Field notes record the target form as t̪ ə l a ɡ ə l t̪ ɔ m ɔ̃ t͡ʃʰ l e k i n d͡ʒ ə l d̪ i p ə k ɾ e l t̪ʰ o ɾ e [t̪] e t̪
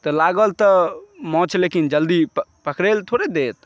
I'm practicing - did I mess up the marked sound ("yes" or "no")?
yes